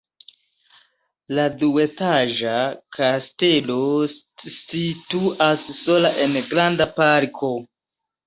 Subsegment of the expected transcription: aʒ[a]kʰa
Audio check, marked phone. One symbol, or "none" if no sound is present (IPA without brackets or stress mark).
a